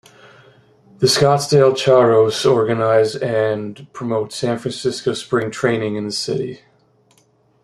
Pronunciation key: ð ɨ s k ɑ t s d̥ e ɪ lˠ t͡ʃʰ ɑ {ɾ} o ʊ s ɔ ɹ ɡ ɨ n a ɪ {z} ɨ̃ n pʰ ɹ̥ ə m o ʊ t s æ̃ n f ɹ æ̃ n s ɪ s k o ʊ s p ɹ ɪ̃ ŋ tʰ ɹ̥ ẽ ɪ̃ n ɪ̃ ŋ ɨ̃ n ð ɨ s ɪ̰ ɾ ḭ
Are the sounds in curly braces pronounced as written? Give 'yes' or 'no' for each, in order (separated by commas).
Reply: no, yes